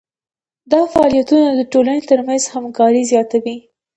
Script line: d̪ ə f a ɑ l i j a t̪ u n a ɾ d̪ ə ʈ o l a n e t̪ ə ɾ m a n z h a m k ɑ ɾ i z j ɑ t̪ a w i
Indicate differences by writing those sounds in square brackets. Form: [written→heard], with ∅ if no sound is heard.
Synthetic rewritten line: d̪ [ə→ɑ] f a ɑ l i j a t̪ u n a [ɾ→∅] d̪ ə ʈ o l a n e t̪ ə ɾ m a n z h a m k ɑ ɾ i z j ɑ t̪ a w i